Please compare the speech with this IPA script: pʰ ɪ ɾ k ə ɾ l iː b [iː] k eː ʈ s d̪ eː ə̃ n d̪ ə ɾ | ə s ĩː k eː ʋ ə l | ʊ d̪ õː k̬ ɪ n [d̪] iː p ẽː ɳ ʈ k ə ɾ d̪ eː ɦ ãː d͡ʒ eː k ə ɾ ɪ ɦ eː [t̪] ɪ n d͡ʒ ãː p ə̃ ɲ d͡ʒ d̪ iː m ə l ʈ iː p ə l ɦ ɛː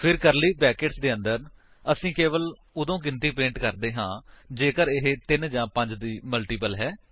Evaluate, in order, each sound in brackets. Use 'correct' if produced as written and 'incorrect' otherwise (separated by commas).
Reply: incorrect, incorrect, correct